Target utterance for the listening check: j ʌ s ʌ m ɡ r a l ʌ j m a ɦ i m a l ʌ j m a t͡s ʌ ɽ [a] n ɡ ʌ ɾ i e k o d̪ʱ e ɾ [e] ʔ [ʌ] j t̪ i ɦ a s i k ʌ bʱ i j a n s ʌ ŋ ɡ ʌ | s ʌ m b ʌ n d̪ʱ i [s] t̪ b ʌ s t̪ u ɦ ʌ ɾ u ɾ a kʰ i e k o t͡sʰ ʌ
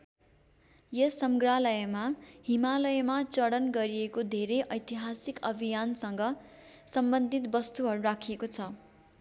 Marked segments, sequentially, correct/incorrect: incorrect: ʌ, correct, correct, incorrect: none

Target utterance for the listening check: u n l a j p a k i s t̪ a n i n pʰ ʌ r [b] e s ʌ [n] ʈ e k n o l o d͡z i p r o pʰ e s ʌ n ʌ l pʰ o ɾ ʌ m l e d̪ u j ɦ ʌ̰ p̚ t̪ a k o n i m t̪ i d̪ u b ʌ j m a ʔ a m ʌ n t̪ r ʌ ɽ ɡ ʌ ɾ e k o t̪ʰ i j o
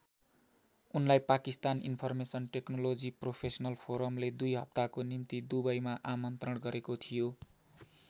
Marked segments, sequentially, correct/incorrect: incorrect: m, correct

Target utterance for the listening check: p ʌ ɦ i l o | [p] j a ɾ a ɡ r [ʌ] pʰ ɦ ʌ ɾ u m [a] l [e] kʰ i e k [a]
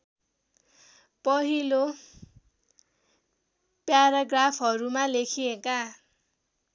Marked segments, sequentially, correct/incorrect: correct, incorrect: a, correct, correct, correct

